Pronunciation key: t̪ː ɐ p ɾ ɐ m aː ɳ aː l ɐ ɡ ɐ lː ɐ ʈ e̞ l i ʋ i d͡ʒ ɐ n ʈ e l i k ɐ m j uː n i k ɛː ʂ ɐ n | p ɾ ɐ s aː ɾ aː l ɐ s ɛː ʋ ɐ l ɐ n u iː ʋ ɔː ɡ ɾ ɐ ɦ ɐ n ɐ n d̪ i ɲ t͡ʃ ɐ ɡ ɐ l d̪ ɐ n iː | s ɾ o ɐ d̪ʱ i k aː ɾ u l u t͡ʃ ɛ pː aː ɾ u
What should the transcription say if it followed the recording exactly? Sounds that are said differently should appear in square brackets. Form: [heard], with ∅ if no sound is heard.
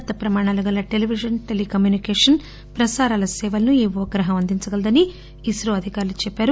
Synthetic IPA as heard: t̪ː ɐ p ɾ ɐ m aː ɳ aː l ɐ ɡ ɐ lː ɐ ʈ e̞ l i ʋ i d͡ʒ ɐ n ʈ e l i k ɐ m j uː n i k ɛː ʂ ɐ n | p ɾ ɐ s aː ɾ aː l ɐ s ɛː ʋ ɐ l ɐ n u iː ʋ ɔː ɡ ɾ ɐ ɦ ɐ [m] ɐ n d̪ i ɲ t͡ʃ ɐ ɡ ɐ l d̪ ɐ n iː | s ɾ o ɐ d̪ʱ i k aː ɾ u l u t͡ʃ ɛ pː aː ɾ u